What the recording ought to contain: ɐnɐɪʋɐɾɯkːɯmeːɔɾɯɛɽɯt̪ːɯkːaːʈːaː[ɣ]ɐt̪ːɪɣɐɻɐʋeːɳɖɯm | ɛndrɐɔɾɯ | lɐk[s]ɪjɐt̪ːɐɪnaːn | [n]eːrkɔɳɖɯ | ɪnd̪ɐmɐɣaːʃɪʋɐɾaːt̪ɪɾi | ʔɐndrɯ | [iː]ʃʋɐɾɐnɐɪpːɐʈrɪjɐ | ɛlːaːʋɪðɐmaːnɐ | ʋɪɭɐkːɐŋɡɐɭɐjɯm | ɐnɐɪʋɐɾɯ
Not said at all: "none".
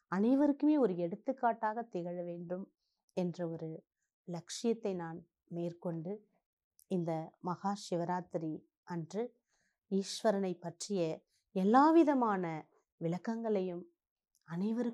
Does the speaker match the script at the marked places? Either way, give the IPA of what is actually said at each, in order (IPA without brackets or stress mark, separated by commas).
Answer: ɣ, ʂ, m, iː